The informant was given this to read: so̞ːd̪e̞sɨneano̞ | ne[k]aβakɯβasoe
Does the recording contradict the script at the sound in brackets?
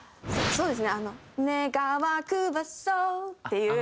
yes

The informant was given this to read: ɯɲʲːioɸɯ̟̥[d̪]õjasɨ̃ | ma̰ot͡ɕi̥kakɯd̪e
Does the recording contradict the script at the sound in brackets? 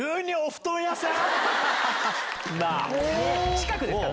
yes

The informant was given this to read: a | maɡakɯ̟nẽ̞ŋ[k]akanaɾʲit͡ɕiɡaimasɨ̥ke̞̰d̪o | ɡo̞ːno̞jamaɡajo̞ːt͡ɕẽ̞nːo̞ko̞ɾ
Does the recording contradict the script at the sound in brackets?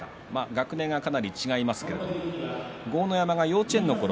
yes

